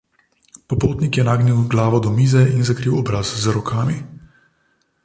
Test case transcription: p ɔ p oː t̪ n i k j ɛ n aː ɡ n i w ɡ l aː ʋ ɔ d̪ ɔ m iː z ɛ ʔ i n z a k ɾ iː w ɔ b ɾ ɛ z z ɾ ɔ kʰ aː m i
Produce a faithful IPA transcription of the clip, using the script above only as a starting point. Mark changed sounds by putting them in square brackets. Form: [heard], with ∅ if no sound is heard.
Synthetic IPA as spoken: p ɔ p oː t̪ n i k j ɛ n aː ɡ n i w ɡ l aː ʋ ɔ d̪ ɔ m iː z ɛ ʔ i n z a k ɾ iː w ɔ b ɾ [a] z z ɾ ɔ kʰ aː m i